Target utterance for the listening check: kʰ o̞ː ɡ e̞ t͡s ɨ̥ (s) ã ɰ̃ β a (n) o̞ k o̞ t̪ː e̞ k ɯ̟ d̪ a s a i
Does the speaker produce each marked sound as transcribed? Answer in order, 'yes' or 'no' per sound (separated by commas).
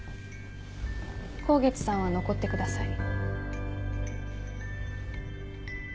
yes, yes